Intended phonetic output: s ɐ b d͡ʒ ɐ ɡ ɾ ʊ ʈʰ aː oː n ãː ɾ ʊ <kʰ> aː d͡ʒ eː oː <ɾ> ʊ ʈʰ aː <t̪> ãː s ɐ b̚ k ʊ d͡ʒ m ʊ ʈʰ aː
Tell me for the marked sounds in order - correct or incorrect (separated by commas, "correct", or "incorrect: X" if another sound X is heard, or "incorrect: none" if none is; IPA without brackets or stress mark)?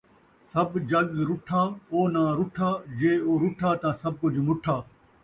incorrect: ʈʰ, correct, correct